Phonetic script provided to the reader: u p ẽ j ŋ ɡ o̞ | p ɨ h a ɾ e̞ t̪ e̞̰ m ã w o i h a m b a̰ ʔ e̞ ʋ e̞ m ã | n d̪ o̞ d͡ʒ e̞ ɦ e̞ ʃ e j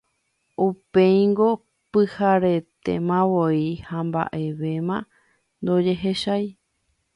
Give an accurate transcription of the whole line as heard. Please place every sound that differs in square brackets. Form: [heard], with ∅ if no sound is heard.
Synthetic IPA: u p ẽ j ŋ ɡ o̞ | p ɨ h a ɾ e̞ t̪ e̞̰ m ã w o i h a m b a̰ ʔ e̞ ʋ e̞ m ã | n d̪ o̞ d͡ʒ e̞ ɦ e̞ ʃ [a] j